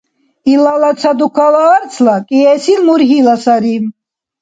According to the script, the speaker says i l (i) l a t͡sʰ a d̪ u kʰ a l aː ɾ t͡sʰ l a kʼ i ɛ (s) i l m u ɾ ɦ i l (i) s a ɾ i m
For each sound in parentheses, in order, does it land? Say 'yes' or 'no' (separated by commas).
no, yes, no